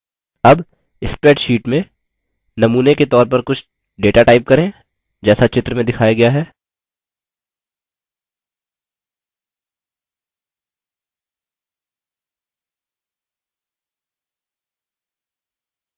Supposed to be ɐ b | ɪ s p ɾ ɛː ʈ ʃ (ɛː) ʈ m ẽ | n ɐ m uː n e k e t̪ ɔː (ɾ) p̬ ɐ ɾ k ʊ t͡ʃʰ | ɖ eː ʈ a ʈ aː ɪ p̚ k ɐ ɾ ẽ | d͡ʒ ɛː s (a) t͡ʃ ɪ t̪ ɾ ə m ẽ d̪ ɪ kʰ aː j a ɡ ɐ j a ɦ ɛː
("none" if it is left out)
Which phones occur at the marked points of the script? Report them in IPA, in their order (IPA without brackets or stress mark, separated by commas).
iː, ɾ, a